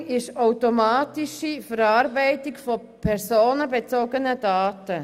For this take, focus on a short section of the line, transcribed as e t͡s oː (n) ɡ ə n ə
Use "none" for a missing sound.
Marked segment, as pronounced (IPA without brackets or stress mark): none